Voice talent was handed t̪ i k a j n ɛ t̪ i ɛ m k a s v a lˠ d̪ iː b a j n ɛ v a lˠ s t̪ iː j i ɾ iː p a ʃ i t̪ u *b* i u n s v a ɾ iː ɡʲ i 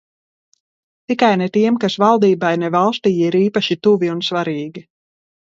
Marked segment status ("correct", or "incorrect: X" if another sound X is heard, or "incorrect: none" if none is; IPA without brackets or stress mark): incorrect: v